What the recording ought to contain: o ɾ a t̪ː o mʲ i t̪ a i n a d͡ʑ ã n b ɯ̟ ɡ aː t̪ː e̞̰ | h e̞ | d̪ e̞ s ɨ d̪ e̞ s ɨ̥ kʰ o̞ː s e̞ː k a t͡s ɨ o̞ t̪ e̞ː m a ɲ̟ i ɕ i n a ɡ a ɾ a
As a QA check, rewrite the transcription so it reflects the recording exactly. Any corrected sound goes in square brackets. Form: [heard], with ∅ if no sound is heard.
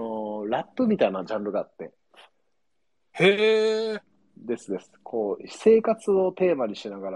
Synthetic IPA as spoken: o ɾ a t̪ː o mʲ i t̪ a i n a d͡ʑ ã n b ɯ̟ ɡ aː t̪ː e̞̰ | h e̞ | d̪ e̞ s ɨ d̪ e̞ s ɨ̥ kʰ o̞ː s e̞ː k a t͡s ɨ o̞ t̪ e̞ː m a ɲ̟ i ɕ i n a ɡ a ɾ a